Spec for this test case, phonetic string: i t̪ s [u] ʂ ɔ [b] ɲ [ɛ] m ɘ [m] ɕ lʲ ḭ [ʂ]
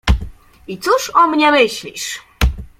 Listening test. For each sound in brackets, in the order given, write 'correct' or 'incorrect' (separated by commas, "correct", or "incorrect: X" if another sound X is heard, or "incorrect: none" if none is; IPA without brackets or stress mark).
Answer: correct, incorrect: m, correct, incorrect: none, correct